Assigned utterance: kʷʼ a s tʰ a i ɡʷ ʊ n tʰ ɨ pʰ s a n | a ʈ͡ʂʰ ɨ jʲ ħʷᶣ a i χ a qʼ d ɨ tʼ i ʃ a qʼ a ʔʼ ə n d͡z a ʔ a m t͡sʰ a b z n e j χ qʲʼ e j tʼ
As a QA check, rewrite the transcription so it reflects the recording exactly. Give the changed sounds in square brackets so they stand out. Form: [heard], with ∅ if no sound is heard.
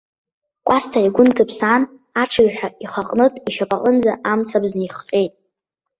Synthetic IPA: kʷʼ a s tʰ a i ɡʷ ʊ n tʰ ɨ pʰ s a n | a ʈ͡ʂʰ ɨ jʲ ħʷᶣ a i χ a qʼ [n] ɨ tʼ i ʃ a [pʼ] a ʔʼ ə n d͡z a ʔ a m t͡sʰ a b z n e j χ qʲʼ e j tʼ